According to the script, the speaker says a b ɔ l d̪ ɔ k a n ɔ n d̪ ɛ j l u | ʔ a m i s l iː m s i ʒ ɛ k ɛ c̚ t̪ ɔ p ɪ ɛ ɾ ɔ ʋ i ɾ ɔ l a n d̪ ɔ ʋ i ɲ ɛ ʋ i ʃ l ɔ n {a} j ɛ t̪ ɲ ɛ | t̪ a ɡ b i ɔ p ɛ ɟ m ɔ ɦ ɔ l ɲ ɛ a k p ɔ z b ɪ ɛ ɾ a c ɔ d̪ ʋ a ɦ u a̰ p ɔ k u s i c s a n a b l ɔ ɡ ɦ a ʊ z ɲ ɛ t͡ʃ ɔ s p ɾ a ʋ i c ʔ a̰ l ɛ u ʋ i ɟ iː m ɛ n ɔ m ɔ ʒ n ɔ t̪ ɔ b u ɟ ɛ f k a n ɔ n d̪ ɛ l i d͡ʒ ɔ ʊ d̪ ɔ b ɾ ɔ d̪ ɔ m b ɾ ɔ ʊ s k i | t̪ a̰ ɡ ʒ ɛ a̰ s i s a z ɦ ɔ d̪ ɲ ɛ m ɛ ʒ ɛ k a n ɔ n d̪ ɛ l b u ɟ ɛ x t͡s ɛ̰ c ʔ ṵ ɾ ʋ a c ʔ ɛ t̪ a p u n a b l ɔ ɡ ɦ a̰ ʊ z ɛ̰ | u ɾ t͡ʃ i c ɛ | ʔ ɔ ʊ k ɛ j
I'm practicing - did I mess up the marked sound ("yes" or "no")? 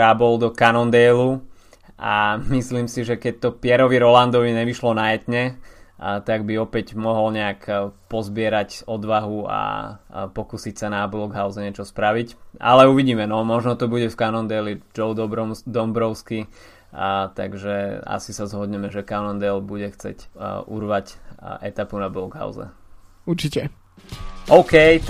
no